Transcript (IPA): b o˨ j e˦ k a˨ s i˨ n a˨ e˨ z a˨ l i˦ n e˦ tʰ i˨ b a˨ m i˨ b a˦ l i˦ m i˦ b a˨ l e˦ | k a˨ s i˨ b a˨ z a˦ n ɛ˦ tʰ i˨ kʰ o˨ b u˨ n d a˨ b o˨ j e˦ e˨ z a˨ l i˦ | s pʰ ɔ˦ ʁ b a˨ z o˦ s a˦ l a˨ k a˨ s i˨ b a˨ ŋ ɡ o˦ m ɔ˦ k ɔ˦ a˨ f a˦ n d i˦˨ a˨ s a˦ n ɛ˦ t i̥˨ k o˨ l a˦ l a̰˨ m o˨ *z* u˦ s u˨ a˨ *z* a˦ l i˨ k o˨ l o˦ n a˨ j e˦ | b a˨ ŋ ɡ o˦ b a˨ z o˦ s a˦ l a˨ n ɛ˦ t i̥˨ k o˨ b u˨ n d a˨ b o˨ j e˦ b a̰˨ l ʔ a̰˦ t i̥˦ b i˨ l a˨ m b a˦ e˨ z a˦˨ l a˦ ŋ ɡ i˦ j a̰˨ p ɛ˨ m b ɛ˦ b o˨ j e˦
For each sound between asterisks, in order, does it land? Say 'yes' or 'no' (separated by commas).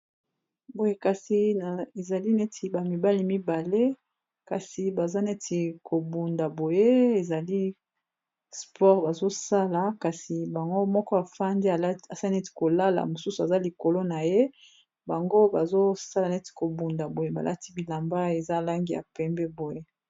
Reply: no, yes